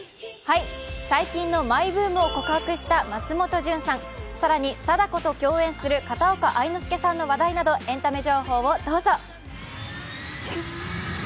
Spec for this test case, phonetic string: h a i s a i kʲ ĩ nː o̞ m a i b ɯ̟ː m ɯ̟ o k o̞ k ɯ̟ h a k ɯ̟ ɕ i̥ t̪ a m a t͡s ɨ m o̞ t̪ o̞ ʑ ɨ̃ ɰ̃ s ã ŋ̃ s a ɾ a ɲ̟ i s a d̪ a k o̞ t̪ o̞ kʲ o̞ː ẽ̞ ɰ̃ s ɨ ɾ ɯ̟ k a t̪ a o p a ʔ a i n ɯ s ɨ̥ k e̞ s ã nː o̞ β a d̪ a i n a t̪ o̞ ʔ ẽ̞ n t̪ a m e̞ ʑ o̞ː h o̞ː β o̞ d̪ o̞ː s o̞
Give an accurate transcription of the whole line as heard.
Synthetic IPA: h a i s a i kʲ ĩ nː o̞ m a i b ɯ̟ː m ɯ̟ o k o̞ k ɯ̟ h a k ɯ̟ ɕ i̥ t̪ a m a t͡s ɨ m o̞ t̪ o̞ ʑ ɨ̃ ɰ̃ s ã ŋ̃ s a ɾ a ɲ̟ i s a d̪ a k o̞ t̪ o̞ kʲ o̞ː ẽ̞ ɰ̃ s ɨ ɾ ɯ̟ k a t̪ a o k a ʔ a i n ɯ s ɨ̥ k e̞ s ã nː o̞ β a d̪ a i n a d̪ o̞ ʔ ẽ̞ n t̪ a m e̞ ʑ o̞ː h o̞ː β o̞ d̪ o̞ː z o̞